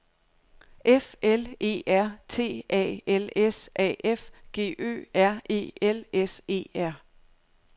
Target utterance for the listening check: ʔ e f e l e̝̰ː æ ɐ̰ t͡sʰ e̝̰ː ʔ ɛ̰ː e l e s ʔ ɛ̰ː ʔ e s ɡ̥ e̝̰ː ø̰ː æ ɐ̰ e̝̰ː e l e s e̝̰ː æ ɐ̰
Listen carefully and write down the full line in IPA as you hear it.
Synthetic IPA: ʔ e f e l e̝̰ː æ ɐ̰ t͡sʰ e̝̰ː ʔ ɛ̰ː e l e s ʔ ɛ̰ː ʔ e f ɡ̥ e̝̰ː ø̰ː æ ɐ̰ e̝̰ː e l e s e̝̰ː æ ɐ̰